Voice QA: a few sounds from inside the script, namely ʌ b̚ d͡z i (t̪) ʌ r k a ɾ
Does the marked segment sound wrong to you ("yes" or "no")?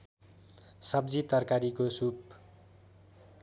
no